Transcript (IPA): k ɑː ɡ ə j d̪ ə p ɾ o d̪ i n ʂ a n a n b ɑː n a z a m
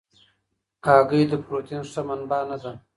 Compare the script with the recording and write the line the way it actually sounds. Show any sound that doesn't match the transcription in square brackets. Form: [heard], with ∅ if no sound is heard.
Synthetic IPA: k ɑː ɡ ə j d̪ ə p ɾ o [t̪] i n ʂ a [m] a n b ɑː n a z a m